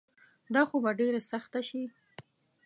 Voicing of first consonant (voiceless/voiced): voiced